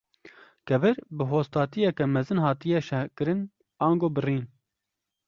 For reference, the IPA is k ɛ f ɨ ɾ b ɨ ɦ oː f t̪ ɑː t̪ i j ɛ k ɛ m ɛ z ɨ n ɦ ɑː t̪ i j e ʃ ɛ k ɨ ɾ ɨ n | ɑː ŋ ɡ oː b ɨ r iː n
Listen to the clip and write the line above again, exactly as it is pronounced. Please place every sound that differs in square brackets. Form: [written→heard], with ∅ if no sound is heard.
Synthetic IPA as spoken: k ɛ [f→v] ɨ ɾ b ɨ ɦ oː [f→s] t̪ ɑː t̪ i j ɛ k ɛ m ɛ z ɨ n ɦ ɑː t̪ i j [e→ɛ] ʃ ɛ k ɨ ɾ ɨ n | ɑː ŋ ɡ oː b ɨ r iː n